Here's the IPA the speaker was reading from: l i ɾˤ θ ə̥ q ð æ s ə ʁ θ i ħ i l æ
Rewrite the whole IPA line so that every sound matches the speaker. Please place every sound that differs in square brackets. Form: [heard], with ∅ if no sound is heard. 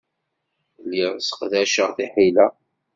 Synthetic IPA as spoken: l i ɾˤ [s] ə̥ q ð æ [ʃ] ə ʁ θ i ħ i l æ